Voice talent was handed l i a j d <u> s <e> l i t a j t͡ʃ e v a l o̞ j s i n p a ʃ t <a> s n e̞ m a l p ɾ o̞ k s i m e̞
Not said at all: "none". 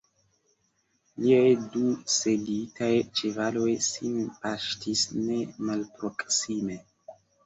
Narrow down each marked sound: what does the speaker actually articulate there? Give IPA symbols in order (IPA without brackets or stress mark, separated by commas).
u, e, i